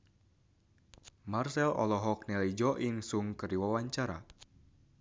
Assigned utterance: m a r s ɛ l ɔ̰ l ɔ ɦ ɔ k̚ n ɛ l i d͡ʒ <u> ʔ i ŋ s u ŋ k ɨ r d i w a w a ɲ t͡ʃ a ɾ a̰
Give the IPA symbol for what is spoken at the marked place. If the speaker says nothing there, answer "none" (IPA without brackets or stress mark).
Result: ɔ